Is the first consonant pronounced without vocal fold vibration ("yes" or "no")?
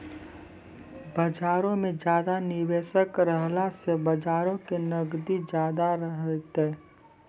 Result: no